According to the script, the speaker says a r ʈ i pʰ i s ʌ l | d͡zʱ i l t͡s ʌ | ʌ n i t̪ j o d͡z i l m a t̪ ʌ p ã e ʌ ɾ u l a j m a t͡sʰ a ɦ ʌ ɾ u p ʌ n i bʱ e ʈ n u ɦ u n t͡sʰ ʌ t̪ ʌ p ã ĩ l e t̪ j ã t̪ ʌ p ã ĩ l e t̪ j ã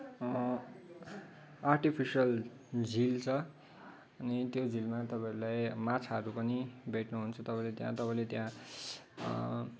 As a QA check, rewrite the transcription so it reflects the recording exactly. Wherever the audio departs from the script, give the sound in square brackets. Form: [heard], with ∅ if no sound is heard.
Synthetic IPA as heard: a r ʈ i pʰ i s ʌ l | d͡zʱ i l [t͡sʰ] ʌ | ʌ n i t̪ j o d͡z i l m a t̪ ʌ p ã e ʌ ɾ u l a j m a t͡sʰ a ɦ ʌ ɾ u p ʌ n i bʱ e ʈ n u ɦ u n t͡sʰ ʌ t̪ ʌ p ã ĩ l e t̪ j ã t̪ ʌ p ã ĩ l e t̪ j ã